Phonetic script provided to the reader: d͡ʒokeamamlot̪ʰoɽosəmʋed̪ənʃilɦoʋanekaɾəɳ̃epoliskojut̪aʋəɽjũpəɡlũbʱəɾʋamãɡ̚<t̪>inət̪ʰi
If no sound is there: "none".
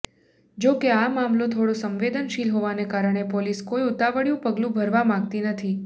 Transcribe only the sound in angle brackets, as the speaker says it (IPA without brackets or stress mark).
t̪